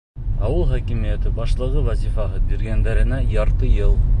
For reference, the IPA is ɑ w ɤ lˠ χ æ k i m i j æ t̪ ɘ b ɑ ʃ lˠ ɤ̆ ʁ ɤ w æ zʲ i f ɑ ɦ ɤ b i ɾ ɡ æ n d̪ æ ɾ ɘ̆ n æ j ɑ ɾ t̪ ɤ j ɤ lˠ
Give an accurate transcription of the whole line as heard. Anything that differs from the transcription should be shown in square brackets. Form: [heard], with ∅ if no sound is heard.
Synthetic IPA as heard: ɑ w ɤ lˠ χ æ k i m i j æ t̪ ɘ b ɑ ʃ lˠ ɤ̆ ʁ ɤ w æ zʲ i f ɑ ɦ ɤ b i ɾ ɡ æ n d̪ æ ɾ ɘ̆ n æ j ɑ ɾ t̪ ɤ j ɤ lˠ